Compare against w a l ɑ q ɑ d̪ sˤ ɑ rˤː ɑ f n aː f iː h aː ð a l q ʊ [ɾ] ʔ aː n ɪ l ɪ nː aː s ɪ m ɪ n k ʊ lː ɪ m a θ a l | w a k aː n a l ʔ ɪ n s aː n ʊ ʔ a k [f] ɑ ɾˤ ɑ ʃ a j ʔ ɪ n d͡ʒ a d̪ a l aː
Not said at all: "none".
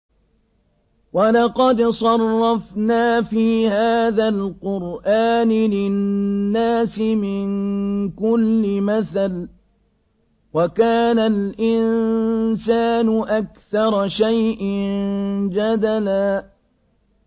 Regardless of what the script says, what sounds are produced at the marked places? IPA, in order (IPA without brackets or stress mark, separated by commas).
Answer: ɾ, θ